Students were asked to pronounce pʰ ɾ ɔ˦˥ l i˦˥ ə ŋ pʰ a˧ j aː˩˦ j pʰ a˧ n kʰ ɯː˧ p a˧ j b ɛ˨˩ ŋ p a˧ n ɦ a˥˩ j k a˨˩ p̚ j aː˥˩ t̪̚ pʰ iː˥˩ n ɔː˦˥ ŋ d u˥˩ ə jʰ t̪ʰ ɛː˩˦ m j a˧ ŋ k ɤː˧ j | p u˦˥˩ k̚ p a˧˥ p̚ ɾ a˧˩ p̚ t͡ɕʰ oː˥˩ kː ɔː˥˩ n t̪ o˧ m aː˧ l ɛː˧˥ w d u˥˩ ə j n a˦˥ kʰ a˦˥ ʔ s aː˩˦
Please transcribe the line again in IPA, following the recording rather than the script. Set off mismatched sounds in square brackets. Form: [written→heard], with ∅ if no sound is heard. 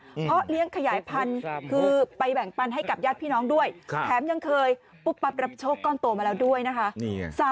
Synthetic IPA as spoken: pʰ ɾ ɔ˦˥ l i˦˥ ə ŋ [pʰ→kʰ] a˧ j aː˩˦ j pʰ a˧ n kʰ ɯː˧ p a˧ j b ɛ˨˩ ŋ p a˧ n ɦ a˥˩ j k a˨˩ p̚ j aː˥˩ t̪̚ pʰ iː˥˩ n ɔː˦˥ ŋ d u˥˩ ə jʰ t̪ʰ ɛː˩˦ m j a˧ ŋ [k→kʰ] ɤː˧ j | p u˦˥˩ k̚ p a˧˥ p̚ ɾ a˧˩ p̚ t͡ɕʰ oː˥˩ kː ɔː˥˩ n t̪ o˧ m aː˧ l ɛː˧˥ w d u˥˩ ə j n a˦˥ kʰ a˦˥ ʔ s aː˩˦

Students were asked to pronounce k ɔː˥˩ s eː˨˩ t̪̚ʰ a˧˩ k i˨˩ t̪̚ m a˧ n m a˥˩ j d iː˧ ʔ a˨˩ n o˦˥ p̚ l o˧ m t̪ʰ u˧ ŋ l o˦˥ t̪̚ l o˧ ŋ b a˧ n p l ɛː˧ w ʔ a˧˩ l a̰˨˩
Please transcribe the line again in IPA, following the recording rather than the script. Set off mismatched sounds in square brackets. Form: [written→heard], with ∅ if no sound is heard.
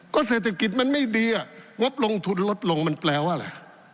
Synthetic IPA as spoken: k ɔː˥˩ s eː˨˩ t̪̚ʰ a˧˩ k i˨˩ t̪̚ m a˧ n m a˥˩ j d iː˧ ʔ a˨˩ [n→ŋ] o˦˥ p̚ l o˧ [m→ŋ] t̪ʰ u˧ [ŋ→n] l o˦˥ t̪̚ l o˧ ŋ [b→m] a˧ n p l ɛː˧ w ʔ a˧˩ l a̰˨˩

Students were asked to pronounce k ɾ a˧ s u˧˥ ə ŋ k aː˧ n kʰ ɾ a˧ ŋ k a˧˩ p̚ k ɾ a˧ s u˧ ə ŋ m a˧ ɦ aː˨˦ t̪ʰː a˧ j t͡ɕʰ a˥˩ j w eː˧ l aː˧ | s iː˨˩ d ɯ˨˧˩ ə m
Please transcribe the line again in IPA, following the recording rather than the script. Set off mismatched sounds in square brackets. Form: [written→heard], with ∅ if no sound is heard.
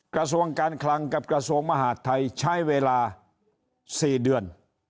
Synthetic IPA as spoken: k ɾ a˧ s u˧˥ ə ŋ k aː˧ n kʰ [ɾ→l] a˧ ŋ k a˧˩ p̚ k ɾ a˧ s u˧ ə ŋ m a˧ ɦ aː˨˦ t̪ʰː a˧ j t͡ɕʰ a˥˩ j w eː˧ l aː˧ | s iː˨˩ d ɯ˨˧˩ ə [m→n]

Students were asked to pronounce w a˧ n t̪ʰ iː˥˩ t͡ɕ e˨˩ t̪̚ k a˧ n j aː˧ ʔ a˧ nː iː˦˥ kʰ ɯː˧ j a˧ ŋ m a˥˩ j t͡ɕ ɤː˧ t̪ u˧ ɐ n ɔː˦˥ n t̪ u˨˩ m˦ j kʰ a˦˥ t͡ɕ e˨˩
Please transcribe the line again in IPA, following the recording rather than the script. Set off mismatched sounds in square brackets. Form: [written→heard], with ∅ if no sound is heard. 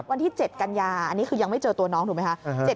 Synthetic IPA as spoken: w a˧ n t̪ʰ iː˥˩ t͡ɕ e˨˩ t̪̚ k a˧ n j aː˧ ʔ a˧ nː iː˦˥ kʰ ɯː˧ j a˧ ŋ m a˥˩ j t͡ɕ ɤː˧ t̪ u˧ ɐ n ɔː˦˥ [n→ŋ] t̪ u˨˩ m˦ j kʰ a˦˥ t͡ɕ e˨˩

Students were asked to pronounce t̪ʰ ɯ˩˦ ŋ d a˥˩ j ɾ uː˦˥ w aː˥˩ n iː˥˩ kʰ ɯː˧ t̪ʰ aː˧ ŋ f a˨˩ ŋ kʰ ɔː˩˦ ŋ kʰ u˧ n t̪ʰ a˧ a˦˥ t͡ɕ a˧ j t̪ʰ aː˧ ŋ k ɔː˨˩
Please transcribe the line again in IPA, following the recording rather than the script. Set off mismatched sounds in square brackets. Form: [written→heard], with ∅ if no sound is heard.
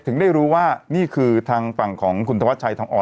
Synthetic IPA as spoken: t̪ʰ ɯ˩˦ ŋ d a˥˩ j ɾ uː˦˥ w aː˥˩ n iː˥˩ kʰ ɯː˧ t̪ʰ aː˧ ŋ f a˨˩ ŋ kʰ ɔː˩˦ ŋ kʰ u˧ n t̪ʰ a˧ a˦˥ [t͡ɕ→t͡ɕʰ] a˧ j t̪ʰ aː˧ ŋ [k→ʔ] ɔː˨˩

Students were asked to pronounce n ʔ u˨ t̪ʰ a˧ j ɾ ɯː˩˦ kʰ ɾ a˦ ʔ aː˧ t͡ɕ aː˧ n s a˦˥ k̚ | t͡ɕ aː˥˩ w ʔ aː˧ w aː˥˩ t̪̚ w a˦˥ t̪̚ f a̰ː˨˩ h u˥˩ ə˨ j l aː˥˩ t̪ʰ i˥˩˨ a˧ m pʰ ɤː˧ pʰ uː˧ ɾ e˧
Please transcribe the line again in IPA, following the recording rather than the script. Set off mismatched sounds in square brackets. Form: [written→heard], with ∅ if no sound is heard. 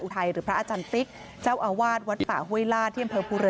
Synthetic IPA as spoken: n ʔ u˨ t̪ʰ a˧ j ɾ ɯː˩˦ [kʰ→pʰ] ɾ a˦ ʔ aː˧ t͡ɕ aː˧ n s [a˦˥→i˦˥] k̚ | t͡ɕ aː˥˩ w ʔ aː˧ w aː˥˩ t̪̚ w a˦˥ t̪̚ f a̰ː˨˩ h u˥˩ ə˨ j l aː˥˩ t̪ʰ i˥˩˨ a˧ m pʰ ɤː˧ pʰ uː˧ ɾ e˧

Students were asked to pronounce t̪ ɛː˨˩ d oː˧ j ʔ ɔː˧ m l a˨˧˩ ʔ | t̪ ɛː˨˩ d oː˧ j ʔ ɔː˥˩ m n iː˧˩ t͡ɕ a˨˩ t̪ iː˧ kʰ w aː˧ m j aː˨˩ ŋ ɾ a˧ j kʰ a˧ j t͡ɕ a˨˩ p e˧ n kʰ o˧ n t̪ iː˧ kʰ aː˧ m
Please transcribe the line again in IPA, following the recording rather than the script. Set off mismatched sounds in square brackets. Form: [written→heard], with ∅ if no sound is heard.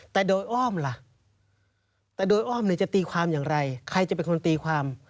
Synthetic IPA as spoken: t̪ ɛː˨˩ d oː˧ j ʔ [ɔː˧→ɔː˥˩] m l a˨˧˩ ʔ | t̪ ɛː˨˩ d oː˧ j ʔ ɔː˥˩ m n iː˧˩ t͡ɕ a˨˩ t̪ iː˧ kʰ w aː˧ m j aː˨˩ ŋ ɾ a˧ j kʰ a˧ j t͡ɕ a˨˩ p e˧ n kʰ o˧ n t̪ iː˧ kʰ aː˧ m

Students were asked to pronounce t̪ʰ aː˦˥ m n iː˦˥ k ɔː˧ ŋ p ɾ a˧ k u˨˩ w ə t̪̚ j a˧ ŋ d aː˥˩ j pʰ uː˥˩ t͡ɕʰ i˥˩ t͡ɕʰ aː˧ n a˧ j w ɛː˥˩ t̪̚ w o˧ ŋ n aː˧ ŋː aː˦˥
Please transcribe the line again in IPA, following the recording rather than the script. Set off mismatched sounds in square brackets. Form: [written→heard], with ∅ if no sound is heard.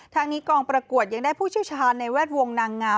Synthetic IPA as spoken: t̪ʰ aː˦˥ [m→ŋ] n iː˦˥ k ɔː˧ ŋ p ɾ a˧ k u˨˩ [w→∅] ə t̪̚ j a˧ ŋ d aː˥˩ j pʰ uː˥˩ t͡ɕʰ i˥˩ t͡ɕʰ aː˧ [n→nː] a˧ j w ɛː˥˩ t̪̚ w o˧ ŋ n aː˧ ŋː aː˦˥

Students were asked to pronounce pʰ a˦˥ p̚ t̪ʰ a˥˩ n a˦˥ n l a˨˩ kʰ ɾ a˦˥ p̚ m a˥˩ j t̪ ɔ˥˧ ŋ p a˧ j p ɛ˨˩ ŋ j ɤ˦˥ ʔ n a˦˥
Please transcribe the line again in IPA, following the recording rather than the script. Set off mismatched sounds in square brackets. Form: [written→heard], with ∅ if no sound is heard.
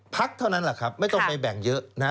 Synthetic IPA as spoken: pʰ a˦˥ [p̚→k̚] t̪ʰ a˥˩ n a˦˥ n l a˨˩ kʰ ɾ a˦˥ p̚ m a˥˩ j t̪ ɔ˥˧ ŋ p a˧ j [p→b] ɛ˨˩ ŋ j ɤ˦˥ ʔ n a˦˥

